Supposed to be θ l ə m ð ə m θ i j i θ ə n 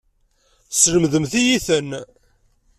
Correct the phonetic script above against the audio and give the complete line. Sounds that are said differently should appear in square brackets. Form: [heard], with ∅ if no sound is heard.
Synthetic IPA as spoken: [s] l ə m ð ə m θ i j i θ ə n